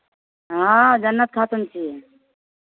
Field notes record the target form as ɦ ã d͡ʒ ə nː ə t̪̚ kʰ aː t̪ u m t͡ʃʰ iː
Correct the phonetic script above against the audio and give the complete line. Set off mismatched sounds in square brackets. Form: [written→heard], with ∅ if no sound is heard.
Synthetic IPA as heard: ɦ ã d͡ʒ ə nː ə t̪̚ kʰ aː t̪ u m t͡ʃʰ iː